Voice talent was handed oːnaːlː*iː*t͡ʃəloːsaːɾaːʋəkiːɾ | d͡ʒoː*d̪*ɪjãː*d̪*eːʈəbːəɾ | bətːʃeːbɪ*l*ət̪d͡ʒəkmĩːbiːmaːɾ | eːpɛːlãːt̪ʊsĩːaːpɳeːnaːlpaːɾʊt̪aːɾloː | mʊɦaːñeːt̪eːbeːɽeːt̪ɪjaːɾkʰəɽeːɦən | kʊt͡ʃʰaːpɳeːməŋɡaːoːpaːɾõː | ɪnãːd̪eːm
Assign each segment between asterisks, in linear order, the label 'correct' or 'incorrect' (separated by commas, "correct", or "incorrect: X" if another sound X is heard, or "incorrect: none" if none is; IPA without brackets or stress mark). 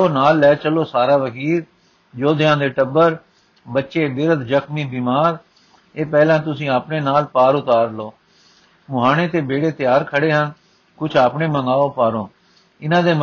incorrect: ɛː, correct, correct, incorrect: ɾ